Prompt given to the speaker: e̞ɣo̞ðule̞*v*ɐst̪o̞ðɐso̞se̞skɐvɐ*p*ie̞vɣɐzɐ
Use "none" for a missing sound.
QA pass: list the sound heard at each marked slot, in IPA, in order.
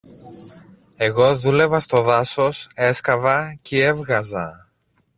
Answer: v, c

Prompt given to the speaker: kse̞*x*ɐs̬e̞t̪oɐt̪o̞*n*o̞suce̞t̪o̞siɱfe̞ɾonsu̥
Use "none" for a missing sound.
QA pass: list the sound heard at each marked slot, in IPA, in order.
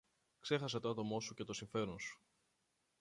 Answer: x, m

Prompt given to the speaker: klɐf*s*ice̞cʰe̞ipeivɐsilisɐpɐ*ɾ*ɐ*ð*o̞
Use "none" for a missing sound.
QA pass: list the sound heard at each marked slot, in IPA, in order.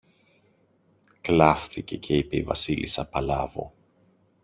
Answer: θ, l, v

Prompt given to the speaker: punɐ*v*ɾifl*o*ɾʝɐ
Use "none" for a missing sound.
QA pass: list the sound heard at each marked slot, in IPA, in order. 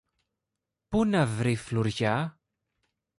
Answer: v, u

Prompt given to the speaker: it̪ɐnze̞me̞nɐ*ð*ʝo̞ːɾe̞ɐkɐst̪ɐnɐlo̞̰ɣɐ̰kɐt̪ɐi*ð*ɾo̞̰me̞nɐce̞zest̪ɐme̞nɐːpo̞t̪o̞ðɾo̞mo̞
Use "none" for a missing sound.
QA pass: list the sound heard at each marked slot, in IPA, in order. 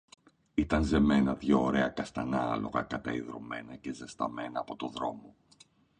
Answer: ð, ð

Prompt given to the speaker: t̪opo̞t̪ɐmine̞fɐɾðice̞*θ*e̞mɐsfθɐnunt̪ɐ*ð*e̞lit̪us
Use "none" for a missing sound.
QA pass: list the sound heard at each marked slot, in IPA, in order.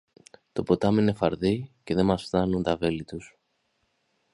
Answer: ð, v

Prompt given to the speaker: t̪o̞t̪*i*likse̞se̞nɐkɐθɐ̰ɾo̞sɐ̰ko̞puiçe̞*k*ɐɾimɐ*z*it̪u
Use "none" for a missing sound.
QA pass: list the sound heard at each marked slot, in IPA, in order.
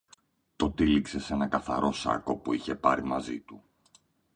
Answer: i, p, z

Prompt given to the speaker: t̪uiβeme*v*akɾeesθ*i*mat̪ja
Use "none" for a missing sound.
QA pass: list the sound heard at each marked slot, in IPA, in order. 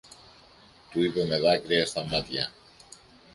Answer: ð, a

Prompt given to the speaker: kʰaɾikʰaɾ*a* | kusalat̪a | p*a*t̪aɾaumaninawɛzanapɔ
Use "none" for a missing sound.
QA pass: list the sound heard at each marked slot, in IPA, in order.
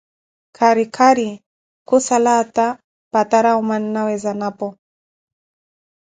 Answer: i, a

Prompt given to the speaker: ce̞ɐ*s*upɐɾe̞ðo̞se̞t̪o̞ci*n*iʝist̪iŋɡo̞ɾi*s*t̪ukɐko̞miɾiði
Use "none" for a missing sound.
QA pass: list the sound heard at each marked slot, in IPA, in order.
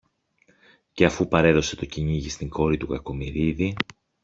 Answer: f, ɲ, none

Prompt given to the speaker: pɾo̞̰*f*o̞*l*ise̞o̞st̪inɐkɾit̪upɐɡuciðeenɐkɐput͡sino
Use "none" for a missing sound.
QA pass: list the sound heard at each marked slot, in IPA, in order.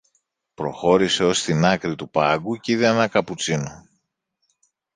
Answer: x, ɾ

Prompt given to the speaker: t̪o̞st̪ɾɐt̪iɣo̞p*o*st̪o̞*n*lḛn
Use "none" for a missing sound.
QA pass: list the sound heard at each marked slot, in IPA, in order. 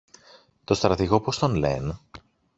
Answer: o, n

